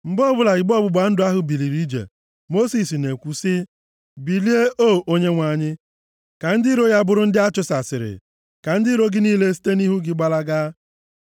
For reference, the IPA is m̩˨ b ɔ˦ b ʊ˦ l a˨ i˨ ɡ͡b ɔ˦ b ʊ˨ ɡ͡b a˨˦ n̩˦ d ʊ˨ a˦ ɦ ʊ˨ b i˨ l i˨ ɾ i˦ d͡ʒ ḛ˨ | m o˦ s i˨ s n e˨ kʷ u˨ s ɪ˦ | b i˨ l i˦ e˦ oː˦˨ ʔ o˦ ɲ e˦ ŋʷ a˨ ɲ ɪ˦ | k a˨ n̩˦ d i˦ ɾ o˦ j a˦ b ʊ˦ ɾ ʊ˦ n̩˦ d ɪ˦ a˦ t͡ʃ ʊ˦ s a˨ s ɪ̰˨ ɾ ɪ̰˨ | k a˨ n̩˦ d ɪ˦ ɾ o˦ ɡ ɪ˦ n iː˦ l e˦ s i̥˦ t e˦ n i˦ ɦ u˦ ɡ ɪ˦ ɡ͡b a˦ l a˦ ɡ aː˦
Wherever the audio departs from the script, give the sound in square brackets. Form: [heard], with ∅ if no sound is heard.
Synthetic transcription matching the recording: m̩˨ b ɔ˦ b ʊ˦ l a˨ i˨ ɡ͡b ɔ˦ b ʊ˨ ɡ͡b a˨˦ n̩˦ d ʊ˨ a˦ ɦ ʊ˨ b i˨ l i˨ ɾ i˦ d͡ʒ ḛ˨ | m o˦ s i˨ s n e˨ kʷ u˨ s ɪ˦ | b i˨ l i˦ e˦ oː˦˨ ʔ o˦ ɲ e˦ ŋʷ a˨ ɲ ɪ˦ | k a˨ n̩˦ d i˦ ɾ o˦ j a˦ b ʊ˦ ɾ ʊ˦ n̩˦ d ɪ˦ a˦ t͡ʃ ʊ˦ s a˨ s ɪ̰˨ ɾ ɪ̰˨ | k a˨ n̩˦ d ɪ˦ ɾ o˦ ɡ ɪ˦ n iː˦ l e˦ s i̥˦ t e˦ n i˦ ɦ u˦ ɡ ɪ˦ ɡ͡b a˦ l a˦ ɡ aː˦